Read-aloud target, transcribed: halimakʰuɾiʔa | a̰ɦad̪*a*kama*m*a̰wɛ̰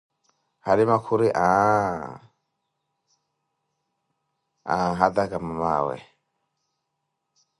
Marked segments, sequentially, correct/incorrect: correct, correct

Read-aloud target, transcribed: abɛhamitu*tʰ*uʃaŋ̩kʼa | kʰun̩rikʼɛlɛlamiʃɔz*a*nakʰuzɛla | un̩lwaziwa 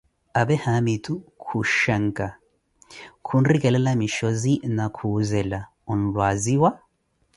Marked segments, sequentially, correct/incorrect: incorrect, incorrect

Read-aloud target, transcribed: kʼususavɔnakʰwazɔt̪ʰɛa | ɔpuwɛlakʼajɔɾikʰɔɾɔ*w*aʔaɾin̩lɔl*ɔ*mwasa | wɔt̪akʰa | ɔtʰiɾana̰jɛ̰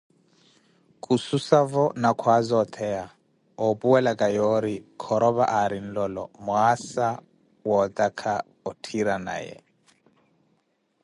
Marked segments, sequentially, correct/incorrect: incorrect, correct

